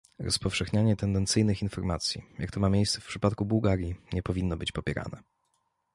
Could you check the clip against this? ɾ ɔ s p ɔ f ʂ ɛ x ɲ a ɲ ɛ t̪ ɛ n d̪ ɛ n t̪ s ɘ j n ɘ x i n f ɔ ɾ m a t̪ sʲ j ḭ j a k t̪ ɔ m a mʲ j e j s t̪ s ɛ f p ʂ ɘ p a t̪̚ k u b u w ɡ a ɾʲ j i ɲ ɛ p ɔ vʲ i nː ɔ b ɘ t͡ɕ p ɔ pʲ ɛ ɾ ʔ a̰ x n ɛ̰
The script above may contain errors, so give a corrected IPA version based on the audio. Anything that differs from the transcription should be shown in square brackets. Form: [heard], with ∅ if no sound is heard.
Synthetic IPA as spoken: ɾ ɔ s p ɔ f ʂ ɛ x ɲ a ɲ ɛ t̪ ɛ n d̪ ɛ n t̪ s ɘ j n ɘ x i n f ɔ ɾ m a t̪ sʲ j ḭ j a k t̪ ɔ m a mʲ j e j s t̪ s ɛ f p ʂ ɘ p a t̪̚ k u b u w ɡ a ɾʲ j i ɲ ɛ p ɔ vʲ i nː ɔ b ɘ t͡ɕ p ɔ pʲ ɛ ɾ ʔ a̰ [∅] n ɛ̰